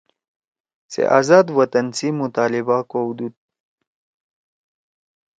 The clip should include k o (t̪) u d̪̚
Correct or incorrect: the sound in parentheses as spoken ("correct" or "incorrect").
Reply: incorrect